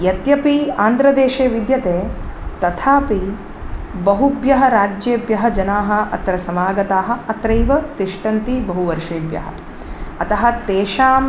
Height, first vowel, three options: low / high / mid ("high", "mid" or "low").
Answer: low